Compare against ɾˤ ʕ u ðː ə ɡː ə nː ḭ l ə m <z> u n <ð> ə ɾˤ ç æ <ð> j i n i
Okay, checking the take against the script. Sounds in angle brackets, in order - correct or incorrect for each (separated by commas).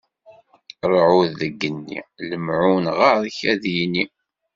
incorrect, incorrect, correct